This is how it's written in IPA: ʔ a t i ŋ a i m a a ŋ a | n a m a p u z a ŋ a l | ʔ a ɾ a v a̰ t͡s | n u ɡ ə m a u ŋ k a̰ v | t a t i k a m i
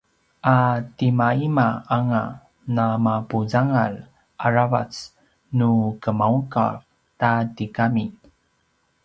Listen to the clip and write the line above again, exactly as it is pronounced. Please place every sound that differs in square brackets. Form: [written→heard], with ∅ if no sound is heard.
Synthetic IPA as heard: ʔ a t i [ŋ→m] a i m a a ŋ a | n a m a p u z a ŋ a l | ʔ a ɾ a v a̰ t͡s | n u [ɡ→k] ə m a u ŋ k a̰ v | t a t i k a m i